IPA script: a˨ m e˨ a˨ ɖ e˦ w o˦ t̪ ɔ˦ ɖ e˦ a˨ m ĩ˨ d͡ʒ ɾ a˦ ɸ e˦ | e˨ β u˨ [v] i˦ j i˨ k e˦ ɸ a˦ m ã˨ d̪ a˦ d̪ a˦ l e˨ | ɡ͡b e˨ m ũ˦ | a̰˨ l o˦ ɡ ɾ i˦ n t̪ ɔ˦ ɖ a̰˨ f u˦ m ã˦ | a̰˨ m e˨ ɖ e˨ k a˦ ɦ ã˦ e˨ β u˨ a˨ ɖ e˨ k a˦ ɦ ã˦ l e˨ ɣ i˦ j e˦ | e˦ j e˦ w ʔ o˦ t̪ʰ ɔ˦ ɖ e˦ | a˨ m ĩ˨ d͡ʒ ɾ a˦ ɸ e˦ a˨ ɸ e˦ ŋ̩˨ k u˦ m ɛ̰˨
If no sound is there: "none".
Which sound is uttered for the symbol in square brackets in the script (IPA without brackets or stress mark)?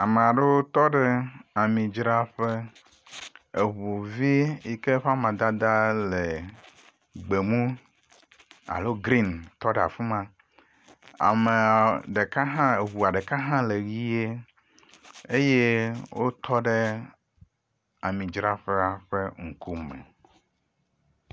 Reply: v